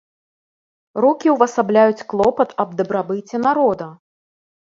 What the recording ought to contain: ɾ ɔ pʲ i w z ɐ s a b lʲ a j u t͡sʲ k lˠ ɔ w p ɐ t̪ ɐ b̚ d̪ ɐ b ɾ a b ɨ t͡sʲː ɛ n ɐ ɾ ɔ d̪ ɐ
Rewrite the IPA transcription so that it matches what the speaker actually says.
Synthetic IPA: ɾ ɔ kʲ i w v ɐ s a b lʲ a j u t͡sʲ k lˠ ɔ p ɐ t̪ ɐ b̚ d̪ ɐ b ɾ a b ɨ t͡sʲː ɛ n a ɾ ɔ d̪ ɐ